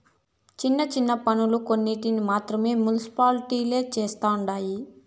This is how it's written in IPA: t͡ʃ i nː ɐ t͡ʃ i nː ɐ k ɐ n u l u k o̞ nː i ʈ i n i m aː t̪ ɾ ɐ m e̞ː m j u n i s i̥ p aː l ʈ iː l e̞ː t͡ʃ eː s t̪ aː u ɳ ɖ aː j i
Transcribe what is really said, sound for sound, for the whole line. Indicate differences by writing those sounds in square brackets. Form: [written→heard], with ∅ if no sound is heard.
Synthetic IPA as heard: t͡ʃ i nː ɐ t͡ʃ i nː ɐ [k→p] ɐ n u l u k o̞ nː i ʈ i n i m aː t̪ ɾ ɐ m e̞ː m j u n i s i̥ p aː l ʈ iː l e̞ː t͡ʃ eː s t̪ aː u ɳ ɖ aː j i